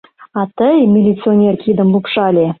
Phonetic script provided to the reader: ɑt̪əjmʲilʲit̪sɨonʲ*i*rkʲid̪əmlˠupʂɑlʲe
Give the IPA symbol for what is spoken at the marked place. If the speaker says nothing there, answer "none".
e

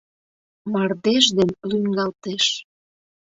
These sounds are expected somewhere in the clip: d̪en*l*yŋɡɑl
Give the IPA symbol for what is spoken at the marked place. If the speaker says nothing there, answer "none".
l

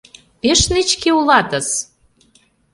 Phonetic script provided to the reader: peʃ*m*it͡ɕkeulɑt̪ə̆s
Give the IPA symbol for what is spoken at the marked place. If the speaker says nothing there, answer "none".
n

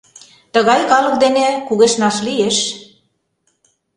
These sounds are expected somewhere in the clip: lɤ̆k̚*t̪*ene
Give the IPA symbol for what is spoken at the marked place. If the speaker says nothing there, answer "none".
d̪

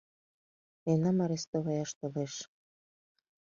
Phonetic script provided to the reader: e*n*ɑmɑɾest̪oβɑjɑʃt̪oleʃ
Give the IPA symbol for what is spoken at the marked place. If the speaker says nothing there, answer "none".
n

